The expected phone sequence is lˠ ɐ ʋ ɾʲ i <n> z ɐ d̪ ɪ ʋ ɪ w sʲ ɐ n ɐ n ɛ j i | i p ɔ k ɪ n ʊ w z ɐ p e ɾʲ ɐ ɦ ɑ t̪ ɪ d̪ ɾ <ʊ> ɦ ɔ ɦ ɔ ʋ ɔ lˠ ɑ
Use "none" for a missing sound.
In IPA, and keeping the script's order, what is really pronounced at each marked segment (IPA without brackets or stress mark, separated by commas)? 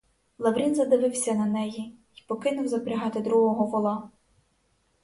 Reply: n, u